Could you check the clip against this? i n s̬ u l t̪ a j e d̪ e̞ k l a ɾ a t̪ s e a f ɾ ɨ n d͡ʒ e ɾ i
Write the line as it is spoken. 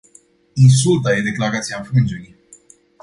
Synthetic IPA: i n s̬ u l t̪ a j e d̪ e̞ k l a ɾ a t̪ s i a f ɾ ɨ n d͡ʒ e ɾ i